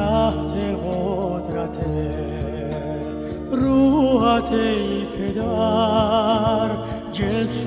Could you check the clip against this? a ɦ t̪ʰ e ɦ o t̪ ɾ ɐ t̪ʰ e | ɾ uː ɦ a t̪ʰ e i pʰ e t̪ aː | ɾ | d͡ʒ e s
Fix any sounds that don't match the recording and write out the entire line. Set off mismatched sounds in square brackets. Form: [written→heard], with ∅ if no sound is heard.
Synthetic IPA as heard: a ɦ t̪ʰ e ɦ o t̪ ɾ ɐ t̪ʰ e | ɾ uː ɦ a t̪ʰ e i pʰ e [t̪→d̪] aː | ɾ | d͡ʒ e s